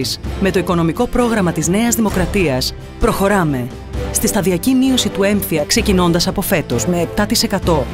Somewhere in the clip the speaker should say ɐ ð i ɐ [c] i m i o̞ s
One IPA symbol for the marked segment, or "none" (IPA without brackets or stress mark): c